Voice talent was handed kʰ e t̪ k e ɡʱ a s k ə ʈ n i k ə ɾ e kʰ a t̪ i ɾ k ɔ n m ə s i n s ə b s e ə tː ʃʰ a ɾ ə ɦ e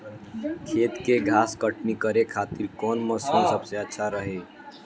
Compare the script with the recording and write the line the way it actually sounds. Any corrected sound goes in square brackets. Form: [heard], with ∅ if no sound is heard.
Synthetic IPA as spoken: kʰ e t̪ k e ɡʱ a s k ə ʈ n i k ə ɾ e kʰ a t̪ i ɾ k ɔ n m ə s i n s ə b s e ə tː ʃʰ a ɾ ə ɦ e